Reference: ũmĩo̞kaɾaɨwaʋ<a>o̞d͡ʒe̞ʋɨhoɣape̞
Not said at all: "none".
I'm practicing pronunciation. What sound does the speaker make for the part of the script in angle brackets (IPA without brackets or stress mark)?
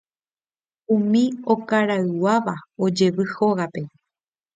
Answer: a